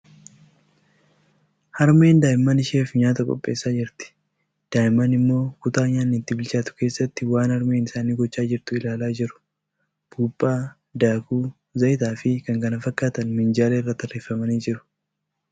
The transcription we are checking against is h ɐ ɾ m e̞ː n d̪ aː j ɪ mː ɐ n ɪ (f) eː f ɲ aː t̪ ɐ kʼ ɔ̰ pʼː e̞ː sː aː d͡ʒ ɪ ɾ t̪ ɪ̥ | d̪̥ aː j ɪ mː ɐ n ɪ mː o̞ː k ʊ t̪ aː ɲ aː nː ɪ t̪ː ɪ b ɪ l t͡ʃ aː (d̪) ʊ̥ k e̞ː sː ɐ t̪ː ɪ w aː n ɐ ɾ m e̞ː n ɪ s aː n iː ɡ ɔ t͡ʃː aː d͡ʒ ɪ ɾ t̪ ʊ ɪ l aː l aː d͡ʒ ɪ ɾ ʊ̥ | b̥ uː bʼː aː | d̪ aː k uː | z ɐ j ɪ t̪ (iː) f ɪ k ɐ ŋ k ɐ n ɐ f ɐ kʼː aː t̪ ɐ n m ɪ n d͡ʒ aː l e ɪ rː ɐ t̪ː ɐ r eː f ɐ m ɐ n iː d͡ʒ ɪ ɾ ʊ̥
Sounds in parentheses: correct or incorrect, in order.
incorrect, incorrect, incorrect

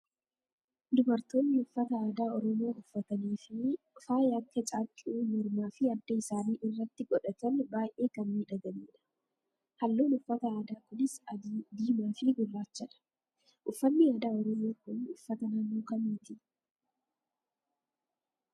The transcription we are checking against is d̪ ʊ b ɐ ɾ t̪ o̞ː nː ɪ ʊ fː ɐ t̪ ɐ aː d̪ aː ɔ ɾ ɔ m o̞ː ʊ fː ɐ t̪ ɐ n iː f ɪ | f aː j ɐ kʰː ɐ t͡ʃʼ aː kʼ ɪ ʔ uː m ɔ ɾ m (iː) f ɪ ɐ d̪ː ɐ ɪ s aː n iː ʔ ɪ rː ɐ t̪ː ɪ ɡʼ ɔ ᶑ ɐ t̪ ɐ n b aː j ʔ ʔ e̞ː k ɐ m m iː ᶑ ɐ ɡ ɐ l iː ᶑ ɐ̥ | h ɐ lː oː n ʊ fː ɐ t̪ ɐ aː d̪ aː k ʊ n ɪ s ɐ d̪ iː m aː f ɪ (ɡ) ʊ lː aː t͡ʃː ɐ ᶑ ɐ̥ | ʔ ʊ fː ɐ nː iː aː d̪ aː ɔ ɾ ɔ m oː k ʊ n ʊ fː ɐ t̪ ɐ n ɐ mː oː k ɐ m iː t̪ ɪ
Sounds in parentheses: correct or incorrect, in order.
incorrect, correct

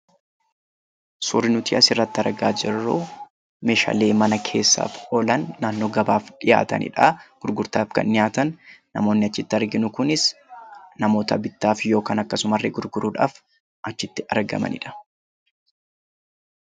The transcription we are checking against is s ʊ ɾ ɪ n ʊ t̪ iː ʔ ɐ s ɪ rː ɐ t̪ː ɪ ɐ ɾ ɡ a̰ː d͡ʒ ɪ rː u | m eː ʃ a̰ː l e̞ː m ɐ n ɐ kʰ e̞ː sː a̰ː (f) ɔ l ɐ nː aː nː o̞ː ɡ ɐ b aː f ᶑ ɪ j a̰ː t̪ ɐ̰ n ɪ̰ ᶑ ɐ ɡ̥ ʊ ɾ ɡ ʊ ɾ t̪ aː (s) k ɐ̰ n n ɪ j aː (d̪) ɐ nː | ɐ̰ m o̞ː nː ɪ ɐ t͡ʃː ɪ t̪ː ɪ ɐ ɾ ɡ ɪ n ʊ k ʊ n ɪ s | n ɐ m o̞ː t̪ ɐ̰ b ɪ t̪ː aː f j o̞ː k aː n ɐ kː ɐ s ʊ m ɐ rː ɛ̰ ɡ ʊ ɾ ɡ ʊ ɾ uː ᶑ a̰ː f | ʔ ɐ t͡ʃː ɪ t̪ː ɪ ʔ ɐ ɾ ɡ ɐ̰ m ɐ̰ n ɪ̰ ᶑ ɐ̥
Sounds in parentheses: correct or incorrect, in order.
correct, incorrect, incorrect

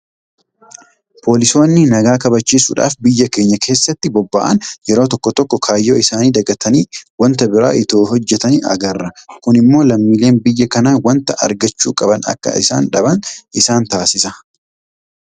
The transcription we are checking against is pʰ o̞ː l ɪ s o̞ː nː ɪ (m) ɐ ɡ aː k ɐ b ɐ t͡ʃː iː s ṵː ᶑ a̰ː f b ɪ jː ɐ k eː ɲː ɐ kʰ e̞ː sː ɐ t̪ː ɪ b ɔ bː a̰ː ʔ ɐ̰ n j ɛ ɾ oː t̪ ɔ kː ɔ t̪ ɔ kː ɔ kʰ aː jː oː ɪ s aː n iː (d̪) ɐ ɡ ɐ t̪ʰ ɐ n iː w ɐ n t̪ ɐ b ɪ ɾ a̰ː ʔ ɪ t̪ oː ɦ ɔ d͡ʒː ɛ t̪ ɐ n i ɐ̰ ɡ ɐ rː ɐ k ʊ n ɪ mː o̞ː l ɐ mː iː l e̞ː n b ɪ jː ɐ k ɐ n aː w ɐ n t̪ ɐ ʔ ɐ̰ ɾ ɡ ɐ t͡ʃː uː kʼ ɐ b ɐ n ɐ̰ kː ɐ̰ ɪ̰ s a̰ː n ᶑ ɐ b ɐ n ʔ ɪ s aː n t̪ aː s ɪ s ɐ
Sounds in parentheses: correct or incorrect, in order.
incorrect, correct

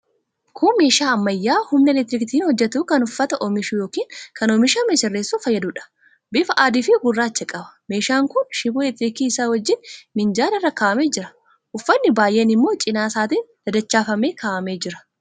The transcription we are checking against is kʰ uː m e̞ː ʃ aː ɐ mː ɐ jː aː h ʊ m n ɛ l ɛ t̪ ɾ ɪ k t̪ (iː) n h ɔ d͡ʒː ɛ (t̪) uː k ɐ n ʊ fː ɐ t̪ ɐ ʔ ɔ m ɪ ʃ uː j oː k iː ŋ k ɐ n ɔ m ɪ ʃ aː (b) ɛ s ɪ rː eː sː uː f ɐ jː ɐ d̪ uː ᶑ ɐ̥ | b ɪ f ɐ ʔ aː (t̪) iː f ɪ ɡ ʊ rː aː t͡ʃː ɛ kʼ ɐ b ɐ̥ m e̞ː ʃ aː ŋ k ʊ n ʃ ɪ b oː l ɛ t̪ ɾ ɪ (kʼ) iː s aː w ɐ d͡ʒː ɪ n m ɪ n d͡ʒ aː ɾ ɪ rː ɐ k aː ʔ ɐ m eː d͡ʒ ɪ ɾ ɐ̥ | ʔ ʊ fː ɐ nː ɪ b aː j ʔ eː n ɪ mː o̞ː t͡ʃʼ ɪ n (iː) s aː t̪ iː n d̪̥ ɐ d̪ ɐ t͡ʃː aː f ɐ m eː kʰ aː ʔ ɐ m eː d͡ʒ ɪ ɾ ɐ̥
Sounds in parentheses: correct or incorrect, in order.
correct, correct, incorrect, incorrect, incorrect, incorrect

